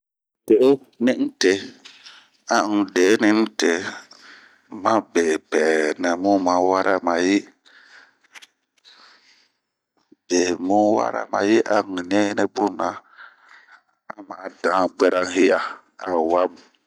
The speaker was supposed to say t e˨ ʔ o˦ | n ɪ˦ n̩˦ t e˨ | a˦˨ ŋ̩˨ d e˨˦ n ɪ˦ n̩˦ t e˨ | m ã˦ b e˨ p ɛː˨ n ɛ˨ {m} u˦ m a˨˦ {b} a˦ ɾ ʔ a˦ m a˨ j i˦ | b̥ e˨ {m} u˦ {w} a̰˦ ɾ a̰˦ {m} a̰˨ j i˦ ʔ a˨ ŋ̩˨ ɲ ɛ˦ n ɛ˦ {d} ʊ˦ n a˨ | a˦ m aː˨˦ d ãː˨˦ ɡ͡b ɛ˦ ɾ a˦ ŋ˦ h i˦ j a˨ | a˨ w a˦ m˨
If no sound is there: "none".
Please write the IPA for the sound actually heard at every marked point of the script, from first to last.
m, w, m, w, m, b

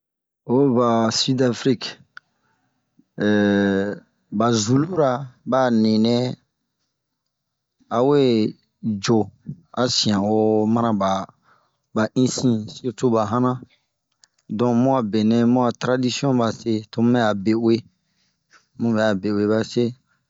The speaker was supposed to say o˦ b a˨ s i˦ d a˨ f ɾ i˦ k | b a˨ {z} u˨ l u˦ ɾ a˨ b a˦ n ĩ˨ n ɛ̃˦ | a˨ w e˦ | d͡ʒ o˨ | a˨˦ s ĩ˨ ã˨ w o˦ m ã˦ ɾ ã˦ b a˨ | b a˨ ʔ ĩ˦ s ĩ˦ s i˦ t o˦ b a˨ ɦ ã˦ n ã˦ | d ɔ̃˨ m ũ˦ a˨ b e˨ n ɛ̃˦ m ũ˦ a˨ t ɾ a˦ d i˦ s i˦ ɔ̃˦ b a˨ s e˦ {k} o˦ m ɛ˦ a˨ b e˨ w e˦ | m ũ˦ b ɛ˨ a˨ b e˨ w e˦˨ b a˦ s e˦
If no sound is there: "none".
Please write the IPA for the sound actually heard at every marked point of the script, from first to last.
z, t

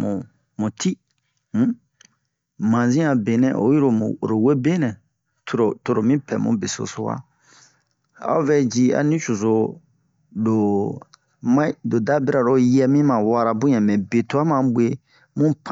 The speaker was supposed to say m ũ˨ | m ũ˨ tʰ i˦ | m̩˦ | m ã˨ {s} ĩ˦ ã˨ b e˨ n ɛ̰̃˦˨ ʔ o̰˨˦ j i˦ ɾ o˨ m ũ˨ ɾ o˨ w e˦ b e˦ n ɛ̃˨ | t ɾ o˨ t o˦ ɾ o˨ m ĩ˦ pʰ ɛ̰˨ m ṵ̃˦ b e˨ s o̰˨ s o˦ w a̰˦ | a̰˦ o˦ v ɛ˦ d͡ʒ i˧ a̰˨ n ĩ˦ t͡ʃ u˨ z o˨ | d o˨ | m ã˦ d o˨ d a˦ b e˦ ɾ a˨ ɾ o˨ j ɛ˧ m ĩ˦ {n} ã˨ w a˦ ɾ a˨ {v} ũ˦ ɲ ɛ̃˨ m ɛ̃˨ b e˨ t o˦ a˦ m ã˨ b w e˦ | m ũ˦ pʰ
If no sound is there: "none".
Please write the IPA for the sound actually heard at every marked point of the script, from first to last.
z, m, b

